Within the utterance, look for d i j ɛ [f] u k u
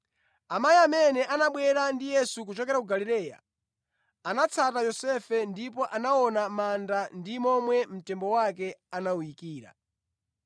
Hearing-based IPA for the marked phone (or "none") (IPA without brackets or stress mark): s